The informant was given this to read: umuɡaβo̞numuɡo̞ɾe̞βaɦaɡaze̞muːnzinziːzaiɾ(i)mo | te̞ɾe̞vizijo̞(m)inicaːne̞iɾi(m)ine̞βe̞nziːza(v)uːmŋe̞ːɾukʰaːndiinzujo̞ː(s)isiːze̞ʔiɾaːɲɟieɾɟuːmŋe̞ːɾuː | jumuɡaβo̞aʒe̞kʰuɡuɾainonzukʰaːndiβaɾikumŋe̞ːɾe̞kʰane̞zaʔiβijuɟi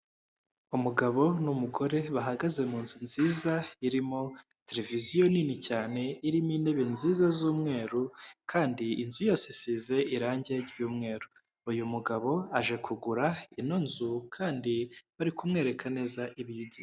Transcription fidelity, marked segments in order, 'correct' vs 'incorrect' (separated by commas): correct, incorrect, correct, incorrect, correct